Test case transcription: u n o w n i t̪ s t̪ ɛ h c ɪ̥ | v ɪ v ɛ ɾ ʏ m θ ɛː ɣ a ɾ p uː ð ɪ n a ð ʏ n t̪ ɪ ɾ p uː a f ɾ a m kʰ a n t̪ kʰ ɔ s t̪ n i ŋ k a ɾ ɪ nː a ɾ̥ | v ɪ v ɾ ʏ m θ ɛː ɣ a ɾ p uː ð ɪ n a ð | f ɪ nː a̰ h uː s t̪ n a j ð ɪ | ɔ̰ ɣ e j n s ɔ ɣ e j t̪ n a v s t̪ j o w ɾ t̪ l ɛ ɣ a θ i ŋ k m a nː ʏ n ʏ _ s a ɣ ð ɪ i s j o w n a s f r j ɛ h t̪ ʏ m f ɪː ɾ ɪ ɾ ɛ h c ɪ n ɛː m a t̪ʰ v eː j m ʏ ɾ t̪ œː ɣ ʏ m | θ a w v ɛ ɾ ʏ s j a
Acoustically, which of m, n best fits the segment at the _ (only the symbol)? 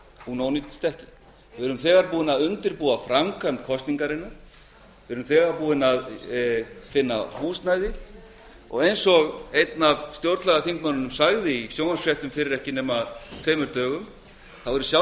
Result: m